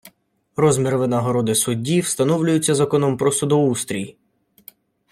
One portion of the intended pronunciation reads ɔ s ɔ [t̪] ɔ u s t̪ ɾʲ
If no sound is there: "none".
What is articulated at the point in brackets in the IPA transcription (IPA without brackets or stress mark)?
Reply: d̪